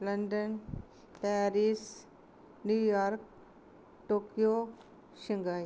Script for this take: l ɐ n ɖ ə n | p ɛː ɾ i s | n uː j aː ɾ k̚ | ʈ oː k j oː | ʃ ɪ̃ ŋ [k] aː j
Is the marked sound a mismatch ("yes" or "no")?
yes